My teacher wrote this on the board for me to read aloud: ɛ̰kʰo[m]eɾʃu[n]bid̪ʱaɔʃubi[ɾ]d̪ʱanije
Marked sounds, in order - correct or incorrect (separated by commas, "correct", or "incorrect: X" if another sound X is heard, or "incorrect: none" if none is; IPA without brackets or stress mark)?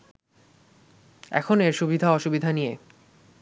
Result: incorrect: n, incorrect: none, incorrect: none